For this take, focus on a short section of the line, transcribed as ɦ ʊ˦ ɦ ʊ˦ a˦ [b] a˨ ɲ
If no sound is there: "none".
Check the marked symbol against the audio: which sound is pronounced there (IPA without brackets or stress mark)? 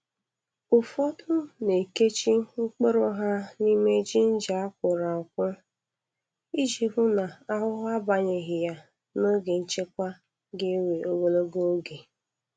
b